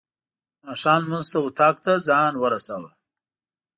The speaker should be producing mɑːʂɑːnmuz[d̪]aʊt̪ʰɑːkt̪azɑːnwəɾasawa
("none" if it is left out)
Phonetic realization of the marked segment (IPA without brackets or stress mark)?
t̪